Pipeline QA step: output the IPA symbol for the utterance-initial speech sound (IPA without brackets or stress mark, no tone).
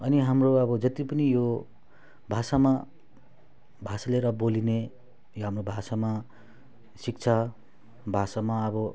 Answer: ʌ